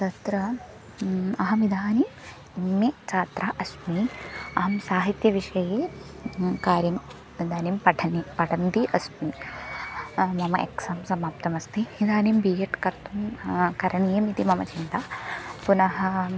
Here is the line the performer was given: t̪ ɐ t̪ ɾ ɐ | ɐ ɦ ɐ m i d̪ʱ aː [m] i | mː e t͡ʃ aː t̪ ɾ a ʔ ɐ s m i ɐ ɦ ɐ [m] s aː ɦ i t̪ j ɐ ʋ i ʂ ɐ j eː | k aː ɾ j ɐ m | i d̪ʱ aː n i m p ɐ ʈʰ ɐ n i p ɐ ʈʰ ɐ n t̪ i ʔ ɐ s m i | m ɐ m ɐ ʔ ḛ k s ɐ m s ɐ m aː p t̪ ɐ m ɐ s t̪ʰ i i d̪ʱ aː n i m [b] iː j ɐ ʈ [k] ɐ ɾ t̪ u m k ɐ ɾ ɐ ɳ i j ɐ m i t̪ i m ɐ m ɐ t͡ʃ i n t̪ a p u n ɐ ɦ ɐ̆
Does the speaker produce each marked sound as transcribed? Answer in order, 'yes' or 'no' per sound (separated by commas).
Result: no, yes, yes, yes